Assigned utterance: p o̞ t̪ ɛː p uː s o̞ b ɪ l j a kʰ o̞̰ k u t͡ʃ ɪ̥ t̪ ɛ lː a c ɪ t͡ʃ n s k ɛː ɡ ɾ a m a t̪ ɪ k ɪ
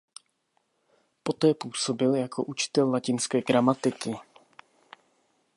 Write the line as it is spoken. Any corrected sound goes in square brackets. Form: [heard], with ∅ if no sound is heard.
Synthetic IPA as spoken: p o̞ t̪ ɛː p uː s o̞ b ɪ l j a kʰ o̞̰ [ʔ] u t͡ʃ ɪ̥ t̪ ɛ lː a c ɪ [∅] n s k ɛː ɡ ɾ a m a t̪ ɪ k ɪ